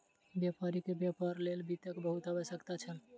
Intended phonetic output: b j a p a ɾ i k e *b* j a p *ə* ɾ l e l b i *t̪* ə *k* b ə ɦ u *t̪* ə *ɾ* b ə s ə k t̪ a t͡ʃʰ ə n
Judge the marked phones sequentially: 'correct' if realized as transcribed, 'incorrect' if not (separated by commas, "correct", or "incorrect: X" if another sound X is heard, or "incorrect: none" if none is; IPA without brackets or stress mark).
correct, incorrect: a, correct, correct, correct, incorrect: none